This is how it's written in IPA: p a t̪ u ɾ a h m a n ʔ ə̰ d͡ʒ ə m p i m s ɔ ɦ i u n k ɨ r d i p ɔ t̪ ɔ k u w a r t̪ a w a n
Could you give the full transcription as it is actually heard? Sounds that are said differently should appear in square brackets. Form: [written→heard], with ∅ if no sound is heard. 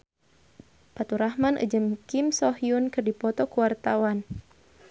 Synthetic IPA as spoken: p a t̪ u ɾ a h m a n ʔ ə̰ d͡ʒ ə m [p→k] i m s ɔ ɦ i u n k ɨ r d i p ɔ t̪ ɔ k u w a r t̪ a w a n